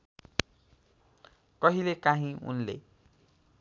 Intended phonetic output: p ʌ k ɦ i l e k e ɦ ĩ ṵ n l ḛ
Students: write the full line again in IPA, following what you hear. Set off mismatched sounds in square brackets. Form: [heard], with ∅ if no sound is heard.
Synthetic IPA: [k] ʌ [∅] ɦ i l e k [a] ɦ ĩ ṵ n l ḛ

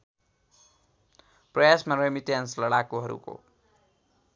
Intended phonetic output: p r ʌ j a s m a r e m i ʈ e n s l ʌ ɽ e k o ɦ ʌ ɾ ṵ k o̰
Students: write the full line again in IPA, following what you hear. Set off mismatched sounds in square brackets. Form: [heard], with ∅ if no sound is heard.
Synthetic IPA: p r ʌ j a s m a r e m i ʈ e n s l ʌ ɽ [a] k o ɦ ʌ ɾ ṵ k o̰

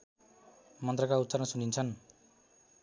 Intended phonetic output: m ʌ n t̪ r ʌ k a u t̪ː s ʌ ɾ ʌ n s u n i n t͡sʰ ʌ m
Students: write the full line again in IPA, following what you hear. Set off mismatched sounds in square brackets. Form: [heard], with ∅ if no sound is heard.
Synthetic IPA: m ʌ n t̪ r ʌ k a u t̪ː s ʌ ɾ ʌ n s u n i n t͡sʰ ʌ [n]

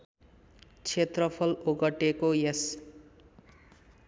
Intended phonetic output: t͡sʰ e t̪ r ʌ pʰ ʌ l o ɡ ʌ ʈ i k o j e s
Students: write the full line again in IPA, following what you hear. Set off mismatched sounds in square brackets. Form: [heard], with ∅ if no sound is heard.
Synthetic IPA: t͡sʰ e t̪ r ʌ pʰ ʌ l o ɡ ʌ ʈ [e] k o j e s

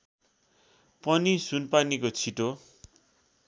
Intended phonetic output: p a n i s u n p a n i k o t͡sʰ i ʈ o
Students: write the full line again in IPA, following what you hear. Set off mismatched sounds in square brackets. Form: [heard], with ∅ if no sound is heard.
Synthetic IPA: p [ʌ] n i s u n p a n i k o t͡sʰ i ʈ o

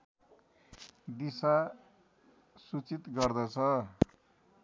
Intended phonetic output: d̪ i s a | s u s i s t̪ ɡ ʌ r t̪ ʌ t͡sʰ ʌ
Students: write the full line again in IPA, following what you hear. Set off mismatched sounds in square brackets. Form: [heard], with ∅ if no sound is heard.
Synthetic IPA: d̪ i s a | s u [t͡s] i [∅] t̪ ɡ ʌ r [d̪] ʌ t͡sʰ ʌ

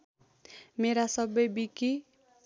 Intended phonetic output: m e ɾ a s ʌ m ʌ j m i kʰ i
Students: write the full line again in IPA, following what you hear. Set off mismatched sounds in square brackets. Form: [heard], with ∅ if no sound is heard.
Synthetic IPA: m e ɾ a s ʌ [b] ʌ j [b] i [k] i

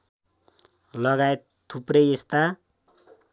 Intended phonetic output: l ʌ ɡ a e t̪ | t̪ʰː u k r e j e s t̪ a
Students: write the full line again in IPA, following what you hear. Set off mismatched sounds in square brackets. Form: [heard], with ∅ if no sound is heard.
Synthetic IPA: l ʌ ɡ a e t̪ | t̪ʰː u [p] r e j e s t̪ a

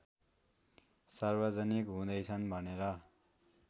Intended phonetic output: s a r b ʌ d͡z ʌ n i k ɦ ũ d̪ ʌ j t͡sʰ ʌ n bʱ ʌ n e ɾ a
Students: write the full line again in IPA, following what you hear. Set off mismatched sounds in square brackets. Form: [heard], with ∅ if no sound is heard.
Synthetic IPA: s a r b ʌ d͡z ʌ n i k ɦ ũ d̪ ʌ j t͡sʰ ʌ n bʱ ʌ n e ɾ [ʌ]

